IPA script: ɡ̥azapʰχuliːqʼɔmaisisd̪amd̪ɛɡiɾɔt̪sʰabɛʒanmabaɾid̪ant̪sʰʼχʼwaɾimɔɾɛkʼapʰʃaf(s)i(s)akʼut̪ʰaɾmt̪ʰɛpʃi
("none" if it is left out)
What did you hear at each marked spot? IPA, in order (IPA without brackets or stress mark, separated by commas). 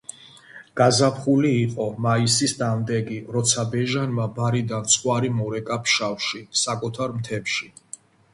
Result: ʃ, s